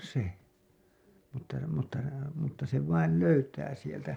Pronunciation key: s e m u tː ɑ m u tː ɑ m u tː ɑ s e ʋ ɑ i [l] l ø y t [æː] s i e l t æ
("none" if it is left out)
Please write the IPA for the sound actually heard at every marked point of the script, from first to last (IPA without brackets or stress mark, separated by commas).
l, æː